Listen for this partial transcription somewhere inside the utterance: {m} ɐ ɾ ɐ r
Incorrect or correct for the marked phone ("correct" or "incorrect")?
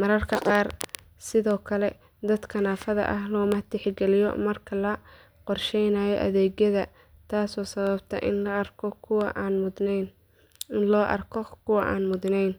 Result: correct